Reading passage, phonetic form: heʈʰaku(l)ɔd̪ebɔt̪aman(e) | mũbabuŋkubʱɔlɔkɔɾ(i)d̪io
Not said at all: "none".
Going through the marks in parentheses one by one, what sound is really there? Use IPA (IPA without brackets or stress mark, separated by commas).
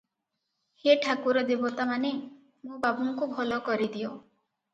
ɾ, e, i